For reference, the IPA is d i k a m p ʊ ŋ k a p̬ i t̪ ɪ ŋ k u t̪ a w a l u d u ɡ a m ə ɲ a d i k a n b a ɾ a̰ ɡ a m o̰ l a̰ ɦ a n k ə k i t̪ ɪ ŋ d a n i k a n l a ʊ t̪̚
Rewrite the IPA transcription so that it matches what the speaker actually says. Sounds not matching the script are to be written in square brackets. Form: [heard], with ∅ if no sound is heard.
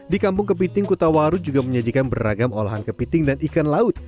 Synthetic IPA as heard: d i k a m p ʊ ŋ k [ə] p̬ i t̪ ɪ ŋ k u t̪ a w a [ɾ] u [d͡ʒ] u ɡ a m ə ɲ a d i k a n b [ə] ɾ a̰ ɡ a m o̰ l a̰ ɦ a n k ə [p] i t̪ ɪ ŋ d a n i k a n l a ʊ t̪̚